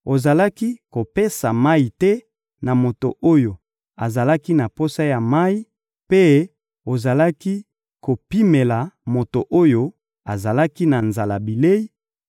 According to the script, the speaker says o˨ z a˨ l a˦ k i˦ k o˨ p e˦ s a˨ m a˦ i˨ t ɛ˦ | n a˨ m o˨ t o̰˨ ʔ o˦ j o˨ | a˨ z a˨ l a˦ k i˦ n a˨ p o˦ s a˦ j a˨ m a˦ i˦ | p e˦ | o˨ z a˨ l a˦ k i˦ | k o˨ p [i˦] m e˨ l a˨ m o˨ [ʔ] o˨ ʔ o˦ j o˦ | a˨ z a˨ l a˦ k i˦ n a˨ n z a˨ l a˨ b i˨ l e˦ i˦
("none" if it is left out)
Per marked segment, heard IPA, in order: i˦, t

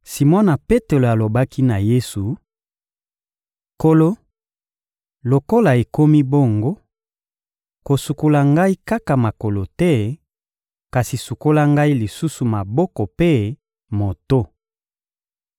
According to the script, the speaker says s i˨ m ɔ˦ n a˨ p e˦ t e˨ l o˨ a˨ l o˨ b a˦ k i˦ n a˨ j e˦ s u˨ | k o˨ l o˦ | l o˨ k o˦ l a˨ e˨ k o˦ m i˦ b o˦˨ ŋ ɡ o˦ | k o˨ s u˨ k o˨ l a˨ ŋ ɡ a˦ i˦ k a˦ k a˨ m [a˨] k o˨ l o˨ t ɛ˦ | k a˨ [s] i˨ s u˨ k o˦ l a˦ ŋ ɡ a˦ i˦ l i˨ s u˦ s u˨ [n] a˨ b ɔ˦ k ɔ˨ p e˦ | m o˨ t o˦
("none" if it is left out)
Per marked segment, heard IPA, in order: a˨, s, m

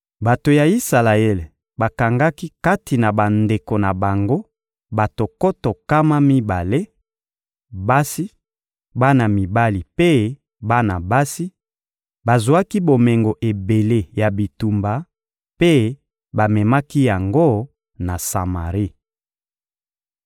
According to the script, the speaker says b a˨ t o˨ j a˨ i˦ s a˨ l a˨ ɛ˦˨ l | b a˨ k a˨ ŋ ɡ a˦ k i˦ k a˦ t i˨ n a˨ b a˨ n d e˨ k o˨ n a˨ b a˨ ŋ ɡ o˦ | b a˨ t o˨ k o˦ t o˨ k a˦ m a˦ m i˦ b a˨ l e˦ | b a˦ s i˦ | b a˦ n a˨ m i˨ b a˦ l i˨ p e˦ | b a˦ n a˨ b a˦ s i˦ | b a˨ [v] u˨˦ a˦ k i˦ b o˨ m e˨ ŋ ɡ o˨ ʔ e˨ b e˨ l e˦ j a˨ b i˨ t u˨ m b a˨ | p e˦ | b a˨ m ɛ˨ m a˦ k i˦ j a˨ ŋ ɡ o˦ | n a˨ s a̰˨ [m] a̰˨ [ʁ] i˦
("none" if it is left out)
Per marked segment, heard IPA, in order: z, m, ʁ

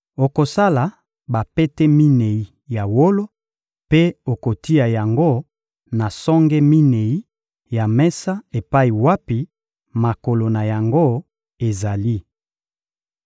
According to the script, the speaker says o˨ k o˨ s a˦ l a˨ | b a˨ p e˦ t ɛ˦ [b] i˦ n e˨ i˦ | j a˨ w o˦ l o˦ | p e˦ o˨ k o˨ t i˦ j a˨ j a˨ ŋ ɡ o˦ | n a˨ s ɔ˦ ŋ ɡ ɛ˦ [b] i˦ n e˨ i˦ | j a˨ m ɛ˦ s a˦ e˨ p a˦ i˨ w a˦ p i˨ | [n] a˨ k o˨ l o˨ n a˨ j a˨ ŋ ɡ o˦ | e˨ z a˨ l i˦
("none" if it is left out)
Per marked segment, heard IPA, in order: m, m, m

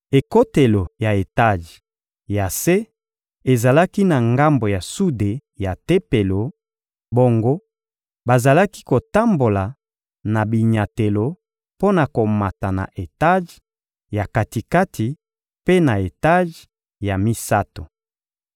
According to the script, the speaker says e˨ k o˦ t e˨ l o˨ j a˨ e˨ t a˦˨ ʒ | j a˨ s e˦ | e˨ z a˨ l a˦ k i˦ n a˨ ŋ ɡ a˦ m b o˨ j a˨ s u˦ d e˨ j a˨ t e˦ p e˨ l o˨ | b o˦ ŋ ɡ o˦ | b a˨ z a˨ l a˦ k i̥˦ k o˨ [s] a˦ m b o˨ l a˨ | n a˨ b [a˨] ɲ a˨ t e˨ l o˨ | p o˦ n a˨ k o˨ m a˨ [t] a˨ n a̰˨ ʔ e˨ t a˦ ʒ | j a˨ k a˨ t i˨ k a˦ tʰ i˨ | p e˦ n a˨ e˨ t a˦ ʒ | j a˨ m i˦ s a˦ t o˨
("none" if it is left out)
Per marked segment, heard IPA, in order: t, i˨, t

